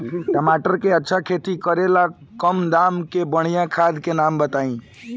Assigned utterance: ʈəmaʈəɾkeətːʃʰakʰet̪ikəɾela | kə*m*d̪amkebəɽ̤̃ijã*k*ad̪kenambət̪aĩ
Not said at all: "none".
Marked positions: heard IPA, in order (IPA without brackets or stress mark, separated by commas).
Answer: m, kʰ